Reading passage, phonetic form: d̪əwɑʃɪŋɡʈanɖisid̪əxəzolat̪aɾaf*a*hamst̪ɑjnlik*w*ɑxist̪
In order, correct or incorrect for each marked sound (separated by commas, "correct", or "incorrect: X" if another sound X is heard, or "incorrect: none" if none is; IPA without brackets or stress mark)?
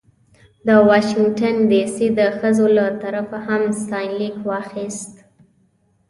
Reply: correct, correct